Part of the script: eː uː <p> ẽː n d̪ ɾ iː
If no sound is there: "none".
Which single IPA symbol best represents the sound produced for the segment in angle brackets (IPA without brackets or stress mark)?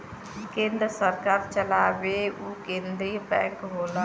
k